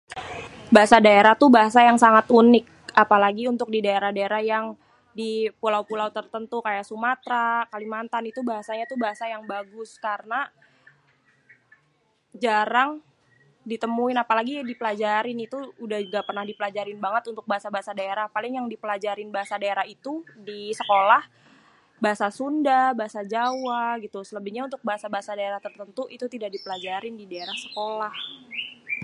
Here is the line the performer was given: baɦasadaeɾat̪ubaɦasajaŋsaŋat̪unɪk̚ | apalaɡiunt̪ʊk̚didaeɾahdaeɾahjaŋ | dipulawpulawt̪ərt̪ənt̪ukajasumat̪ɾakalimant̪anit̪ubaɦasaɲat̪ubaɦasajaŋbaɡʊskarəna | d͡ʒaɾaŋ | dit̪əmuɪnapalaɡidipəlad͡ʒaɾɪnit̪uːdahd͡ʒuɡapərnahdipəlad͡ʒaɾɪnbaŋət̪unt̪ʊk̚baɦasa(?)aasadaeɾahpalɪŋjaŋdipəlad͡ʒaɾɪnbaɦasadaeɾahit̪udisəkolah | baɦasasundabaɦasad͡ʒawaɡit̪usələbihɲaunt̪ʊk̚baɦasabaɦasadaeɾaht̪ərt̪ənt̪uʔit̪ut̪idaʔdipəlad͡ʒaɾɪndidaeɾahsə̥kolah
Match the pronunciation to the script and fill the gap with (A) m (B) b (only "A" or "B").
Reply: B